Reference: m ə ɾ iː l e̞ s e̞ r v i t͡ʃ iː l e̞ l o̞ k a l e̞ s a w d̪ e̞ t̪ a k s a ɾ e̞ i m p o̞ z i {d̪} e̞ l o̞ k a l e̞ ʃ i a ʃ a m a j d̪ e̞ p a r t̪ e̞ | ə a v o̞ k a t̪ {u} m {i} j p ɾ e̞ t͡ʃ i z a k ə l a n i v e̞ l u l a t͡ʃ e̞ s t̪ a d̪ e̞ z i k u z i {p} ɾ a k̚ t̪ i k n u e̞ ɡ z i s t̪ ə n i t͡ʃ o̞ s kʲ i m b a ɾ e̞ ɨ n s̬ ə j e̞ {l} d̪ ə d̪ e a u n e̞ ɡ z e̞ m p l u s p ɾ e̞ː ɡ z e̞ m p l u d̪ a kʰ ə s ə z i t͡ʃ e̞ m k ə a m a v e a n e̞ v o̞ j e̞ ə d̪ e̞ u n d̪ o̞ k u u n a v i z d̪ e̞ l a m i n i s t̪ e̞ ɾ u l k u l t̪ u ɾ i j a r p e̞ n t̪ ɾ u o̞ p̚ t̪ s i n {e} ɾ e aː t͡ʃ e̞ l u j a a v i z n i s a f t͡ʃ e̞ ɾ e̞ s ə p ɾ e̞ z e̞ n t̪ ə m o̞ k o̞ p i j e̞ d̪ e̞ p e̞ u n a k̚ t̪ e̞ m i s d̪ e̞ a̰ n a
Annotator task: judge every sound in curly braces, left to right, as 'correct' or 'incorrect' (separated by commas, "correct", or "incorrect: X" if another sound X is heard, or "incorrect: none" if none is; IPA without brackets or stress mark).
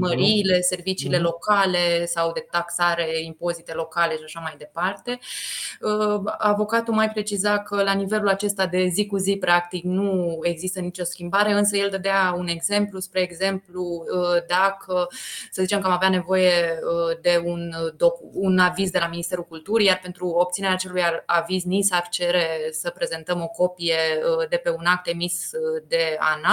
incorrect: t̪, correct, incorrect: a, correct, correct, correct